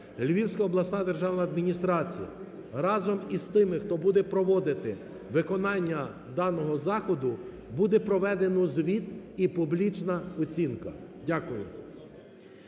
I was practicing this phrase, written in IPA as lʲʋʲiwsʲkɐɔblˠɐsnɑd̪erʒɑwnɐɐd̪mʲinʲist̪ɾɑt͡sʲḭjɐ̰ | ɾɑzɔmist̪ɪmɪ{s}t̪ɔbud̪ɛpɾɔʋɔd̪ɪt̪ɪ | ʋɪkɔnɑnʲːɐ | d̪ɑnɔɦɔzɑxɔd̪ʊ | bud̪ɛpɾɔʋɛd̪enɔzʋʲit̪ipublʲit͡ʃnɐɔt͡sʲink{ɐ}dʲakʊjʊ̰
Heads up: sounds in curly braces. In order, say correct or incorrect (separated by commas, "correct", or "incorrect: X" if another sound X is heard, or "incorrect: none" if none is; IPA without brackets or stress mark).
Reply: incorrect: x, correct